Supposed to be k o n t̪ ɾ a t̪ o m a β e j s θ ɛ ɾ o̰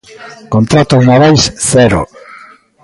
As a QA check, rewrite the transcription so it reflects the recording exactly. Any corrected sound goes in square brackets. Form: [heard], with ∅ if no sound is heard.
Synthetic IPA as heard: k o n t̪ ɾ a t̪ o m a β [a] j s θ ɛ ɾ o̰